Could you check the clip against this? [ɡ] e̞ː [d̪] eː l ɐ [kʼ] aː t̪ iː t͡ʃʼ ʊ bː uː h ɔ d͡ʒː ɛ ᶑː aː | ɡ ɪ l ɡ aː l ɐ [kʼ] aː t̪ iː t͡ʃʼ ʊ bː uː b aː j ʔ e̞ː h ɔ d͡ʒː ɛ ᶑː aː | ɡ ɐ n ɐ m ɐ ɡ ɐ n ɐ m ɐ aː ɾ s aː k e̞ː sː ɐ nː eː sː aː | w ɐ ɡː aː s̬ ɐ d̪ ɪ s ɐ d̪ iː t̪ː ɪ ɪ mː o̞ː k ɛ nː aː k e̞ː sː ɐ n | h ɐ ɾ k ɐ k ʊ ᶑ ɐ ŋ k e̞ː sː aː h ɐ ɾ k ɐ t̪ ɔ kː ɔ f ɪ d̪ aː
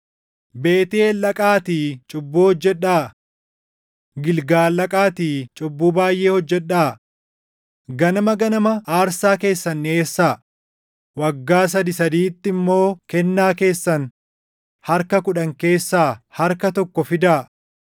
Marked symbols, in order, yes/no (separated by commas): no, no, yes, yes